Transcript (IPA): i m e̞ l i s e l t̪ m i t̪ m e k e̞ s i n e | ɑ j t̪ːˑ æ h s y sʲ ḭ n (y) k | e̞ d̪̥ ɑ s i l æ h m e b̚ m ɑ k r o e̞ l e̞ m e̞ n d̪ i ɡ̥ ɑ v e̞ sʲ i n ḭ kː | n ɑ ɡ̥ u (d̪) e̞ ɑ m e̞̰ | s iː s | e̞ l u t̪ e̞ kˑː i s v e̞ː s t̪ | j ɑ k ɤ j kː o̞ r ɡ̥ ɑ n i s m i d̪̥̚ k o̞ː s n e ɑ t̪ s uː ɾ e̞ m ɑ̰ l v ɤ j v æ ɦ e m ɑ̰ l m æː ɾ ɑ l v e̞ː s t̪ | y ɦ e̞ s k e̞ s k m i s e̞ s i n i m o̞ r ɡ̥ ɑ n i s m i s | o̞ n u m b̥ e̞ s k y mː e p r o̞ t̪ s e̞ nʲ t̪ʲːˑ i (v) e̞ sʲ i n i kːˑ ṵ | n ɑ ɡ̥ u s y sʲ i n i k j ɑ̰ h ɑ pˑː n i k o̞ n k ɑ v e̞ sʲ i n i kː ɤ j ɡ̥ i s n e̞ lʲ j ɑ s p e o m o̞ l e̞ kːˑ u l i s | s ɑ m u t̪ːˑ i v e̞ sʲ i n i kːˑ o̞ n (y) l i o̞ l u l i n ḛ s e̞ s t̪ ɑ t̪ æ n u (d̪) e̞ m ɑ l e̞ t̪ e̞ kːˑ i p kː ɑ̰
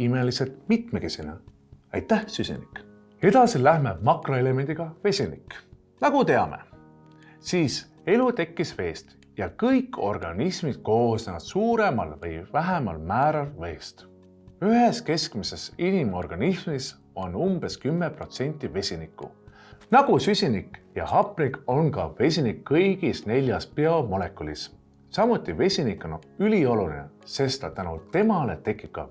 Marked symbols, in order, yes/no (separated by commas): no, no, yes, yes, no